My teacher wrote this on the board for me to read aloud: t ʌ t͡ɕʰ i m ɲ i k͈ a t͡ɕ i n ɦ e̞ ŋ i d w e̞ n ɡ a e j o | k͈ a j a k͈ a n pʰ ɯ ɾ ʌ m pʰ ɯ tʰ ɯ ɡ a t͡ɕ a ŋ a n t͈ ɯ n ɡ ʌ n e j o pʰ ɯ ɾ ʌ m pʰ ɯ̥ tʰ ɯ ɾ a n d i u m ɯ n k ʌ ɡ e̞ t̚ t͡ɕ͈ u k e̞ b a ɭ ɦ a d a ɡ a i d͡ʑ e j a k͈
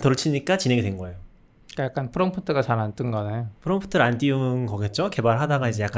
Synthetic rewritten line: t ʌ t͡ɕʰ i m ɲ i k͈ a t͡ɕ i n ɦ e̞ ŋ i d w e̞ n ɡ ʌ e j o | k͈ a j a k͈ a n pʰ ɯ ɾ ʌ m pʰ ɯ tʰ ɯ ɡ a t͡ɕ a n a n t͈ ɯ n ɡ ʌ n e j o pʰ ɯ ɾ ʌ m pʰ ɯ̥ tʰ ɯ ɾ a n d i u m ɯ n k ʌ ɡ e̞ t̚ t͡ɕ͈ o k e̞ b a ɭ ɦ a d a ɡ a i d͡ʑ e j a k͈